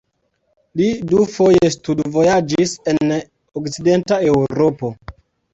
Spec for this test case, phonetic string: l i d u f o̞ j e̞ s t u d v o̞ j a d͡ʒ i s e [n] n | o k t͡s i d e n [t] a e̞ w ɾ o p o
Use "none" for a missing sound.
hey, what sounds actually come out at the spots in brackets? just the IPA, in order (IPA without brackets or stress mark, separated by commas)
n, t